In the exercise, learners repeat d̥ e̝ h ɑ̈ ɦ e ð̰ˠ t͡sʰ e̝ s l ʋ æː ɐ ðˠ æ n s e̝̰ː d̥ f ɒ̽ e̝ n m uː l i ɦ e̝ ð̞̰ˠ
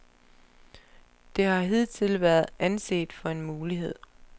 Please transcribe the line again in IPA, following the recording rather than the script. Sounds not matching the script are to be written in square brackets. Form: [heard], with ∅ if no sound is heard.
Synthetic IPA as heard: d̥ e̝ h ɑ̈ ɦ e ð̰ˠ t͡sʰ e̝ [∅] l ʋ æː ɐ ðˠ æ n s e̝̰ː d̥ f ɒ̽ e̝ n m uː l i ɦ e̝ ð̞̰ˠ